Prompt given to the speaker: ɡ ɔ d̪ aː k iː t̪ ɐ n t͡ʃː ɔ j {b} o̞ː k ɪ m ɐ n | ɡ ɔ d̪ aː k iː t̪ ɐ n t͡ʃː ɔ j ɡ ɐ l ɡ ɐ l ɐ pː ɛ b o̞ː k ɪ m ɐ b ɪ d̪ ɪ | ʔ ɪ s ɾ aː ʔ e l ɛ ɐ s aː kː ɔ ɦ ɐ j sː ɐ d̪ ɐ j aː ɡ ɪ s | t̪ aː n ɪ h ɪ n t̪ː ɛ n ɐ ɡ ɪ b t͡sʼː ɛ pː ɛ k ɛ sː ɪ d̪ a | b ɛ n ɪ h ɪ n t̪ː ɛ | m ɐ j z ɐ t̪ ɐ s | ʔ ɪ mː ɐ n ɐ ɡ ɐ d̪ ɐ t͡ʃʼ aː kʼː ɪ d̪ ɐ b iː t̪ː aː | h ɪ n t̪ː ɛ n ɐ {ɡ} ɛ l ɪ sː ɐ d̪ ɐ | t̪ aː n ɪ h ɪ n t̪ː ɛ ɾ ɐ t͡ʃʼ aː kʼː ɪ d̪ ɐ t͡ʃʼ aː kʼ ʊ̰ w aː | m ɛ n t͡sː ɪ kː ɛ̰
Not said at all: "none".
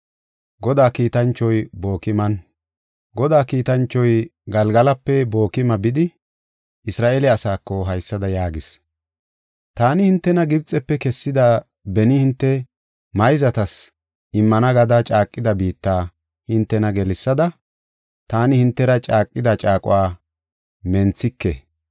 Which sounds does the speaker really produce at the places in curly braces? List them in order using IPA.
b, ɡ

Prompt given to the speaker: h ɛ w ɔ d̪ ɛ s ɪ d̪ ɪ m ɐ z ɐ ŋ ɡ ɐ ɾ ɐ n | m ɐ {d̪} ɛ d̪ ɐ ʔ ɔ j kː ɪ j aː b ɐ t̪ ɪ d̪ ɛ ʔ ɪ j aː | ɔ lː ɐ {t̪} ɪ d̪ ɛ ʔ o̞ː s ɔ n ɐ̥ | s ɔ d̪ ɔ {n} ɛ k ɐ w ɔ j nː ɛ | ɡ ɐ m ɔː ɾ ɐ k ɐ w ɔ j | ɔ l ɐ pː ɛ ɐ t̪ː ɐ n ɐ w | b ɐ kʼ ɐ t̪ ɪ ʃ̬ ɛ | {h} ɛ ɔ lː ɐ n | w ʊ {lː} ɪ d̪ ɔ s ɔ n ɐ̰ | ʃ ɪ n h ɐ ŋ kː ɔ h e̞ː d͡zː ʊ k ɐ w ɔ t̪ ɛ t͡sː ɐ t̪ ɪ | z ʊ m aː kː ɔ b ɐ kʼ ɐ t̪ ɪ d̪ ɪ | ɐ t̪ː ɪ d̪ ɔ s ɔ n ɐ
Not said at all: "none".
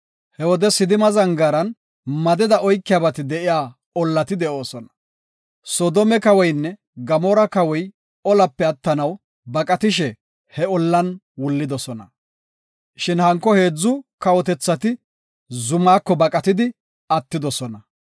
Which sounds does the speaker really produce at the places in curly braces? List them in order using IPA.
d̪, t̪, m, h, lː

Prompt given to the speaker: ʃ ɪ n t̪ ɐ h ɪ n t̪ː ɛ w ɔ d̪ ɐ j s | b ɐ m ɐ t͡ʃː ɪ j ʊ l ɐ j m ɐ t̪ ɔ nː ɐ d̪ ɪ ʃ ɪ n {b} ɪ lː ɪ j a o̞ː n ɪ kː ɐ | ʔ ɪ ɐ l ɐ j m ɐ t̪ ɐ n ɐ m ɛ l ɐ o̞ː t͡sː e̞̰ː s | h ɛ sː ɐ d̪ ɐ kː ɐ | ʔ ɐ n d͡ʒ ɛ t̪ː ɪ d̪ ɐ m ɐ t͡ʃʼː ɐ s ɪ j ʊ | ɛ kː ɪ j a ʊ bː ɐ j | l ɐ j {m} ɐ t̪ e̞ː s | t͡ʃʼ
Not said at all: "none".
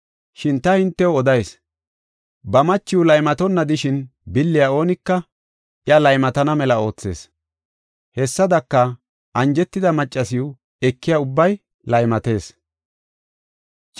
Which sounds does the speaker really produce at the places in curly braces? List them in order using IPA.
b, m

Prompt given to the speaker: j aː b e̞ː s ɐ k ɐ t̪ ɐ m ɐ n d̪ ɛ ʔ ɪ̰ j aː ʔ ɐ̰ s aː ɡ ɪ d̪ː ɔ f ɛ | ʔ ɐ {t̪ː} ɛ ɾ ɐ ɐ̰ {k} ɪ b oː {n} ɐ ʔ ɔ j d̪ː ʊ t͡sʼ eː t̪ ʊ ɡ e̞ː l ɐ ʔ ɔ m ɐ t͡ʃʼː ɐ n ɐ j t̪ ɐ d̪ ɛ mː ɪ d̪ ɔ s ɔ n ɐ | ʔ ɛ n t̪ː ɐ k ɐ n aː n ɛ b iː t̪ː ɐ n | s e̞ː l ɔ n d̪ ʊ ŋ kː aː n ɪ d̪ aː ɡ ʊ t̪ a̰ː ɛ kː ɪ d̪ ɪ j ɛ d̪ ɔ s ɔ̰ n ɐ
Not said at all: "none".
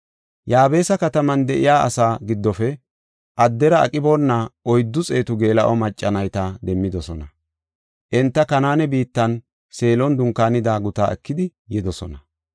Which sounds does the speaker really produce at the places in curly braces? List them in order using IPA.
d̪ː, kʼ, nː

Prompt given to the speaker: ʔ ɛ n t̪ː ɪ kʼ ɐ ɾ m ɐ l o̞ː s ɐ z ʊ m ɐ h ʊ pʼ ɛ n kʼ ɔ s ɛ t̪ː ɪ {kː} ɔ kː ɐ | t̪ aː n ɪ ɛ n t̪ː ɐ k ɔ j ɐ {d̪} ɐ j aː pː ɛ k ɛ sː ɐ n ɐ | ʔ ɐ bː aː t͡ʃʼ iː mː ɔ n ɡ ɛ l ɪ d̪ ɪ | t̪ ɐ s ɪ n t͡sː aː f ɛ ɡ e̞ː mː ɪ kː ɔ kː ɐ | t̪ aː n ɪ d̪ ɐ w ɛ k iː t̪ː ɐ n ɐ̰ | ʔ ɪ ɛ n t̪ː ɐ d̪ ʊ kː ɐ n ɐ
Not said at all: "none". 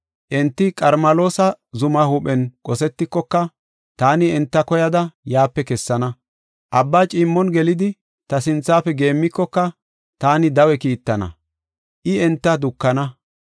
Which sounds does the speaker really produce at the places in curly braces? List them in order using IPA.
kː, d̪

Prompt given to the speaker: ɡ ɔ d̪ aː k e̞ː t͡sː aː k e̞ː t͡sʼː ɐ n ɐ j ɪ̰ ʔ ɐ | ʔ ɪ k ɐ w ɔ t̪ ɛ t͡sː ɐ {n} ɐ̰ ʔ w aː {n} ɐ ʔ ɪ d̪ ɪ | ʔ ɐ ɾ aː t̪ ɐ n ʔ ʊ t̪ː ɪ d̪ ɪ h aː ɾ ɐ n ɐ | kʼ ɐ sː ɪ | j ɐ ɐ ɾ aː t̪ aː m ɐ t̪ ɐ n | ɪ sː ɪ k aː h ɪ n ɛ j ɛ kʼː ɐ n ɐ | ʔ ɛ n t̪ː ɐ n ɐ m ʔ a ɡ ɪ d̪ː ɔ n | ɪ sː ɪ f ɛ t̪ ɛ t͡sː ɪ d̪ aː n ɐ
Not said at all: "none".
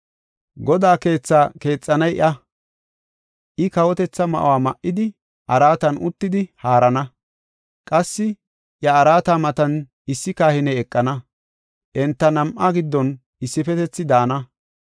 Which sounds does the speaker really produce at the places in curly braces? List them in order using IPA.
m, m

